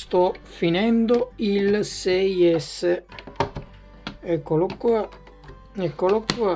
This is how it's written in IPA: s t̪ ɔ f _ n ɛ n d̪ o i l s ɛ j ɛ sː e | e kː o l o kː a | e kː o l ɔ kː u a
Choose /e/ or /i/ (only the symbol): i